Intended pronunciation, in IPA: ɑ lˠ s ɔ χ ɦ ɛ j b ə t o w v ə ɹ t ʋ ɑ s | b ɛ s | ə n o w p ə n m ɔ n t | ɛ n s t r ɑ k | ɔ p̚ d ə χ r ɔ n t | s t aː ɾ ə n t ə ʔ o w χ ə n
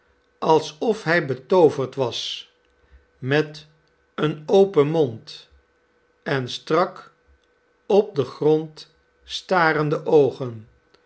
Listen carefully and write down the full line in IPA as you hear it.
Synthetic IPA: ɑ lˠ s ɔ f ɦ ɛ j b ə t o w v ə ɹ t ʋ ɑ s | m ɛ t | ə n o w p ə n m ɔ n t | ɛ n s t r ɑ k | ɔ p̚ d ə χ r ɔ n t | s t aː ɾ ə n d ə ʔ o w χ ə n